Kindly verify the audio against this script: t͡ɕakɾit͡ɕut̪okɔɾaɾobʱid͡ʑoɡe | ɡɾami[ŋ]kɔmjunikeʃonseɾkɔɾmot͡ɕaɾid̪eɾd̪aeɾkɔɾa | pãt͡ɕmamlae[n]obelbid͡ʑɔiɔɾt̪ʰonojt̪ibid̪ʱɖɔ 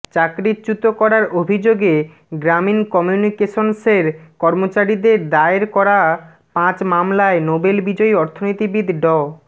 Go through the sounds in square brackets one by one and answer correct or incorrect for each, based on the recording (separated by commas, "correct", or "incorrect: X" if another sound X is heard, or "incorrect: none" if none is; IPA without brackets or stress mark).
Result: incorrect: n, correct